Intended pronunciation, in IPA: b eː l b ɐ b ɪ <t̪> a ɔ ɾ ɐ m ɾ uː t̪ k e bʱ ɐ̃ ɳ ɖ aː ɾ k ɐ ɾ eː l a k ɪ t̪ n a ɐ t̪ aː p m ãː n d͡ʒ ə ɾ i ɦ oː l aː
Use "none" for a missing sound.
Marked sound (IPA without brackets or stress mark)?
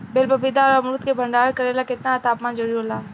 d̪